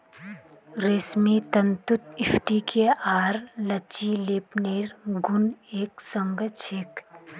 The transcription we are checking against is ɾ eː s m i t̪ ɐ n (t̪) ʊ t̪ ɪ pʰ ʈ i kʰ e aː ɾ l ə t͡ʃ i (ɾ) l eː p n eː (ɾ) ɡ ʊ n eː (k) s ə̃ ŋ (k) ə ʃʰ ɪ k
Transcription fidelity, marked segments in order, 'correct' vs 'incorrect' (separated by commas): correct, incorrect, correct, correct, incorrect